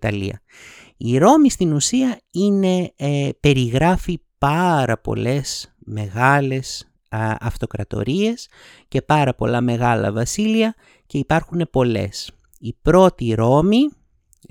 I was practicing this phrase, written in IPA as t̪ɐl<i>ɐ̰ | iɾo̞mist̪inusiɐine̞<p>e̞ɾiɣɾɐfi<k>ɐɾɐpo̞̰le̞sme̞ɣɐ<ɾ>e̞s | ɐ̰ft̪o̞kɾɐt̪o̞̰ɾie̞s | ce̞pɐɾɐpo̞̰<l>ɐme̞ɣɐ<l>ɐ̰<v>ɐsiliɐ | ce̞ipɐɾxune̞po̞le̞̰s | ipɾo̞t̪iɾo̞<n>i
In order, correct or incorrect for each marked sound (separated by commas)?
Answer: correct, correct, incorrect, incorrect, correct, correct, correct, incorrect